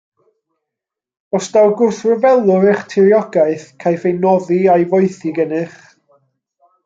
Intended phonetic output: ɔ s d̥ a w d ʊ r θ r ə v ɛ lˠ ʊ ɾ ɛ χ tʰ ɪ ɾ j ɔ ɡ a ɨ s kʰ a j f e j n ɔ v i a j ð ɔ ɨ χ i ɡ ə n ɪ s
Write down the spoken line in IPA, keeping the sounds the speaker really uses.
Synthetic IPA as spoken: ɔ s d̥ a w ɡ ʊ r θ r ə v ɛ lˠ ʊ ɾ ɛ χ tʰ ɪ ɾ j ɔ ɡ a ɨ θ kʰ a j f e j n ɔ ð i a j v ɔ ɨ θ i ɡ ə n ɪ χ